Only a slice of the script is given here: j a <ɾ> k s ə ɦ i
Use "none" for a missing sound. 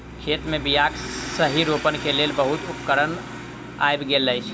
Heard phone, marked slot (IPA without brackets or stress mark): none